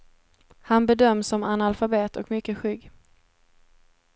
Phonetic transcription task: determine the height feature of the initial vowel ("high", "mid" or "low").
low